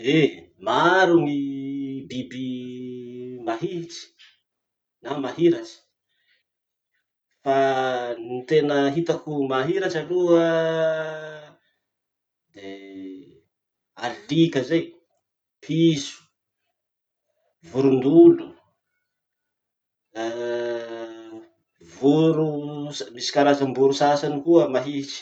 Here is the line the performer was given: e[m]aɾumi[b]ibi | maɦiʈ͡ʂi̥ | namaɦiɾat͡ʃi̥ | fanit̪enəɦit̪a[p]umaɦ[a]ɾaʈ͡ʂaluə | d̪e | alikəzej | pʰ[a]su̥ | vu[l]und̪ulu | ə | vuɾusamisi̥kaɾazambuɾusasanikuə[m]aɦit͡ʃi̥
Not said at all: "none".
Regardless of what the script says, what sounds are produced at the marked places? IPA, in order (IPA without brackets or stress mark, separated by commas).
m, b, k, i, i, ɾ, m